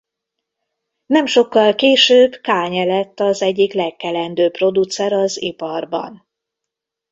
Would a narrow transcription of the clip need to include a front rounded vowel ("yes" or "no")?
yes